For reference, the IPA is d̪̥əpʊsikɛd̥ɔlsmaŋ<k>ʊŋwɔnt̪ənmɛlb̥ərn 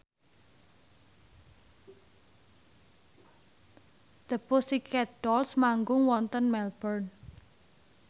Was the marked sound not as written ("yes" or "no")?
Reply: yes